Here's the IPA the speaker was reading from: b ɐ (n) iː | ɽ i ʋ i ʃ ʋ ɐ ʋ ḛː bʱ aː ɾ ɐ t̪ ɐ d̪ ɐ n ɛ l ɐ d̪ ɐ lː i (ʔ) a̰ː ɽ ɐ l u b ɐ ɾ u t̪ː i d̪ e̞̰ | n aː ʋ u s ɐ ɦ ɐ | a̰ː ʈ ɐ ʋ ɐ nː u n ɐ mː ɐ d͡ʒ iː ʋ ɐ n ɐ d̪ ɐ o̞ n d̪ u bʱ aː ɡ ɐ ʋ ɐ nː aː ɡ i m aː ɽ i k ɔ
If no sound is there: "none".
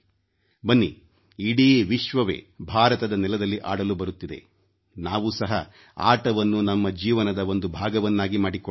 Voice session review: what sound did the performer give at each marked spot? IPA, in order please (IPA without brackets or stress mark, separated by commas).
nː, ʔ